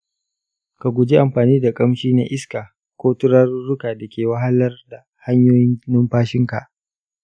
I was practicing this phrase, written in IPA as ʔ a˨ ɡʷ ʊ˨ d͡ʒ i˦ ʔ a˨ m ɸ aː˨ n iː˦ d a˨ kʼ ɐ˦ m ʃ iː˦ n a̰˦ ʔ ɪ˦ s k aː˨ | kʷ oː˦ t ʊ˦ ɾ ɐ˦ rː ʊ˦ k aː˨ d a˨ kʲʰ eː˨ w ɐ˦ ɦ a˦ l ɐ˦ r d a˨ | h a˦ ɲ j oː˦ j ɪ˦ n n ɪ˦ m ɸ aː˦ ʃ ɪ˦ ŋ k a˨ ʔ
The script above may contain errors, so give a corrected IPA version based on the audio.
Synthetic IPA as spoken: k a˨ ɡʷ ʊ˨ d͡ʒ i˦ ʔ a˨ m ɸ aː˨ n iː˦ d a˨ kʼ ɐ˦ m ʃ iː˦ n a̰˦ ʔ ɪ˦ s k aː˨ | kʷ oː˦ t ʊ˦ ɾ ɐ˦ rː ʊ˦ k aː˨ d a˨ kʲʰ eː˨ w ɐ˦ ɦ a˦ l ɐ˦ r d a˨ | h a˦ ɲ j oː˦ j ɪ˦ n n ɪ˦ m ɸ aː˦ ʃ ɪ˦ ŋ k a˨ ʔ